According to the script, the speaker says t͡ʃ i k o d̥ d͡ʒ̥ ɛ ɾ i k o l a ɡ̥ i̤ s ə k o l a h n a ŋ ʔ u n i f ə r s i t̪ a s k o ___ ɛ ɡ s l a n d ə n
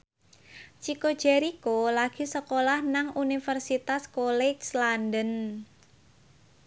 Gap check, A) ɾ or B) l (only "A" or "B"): B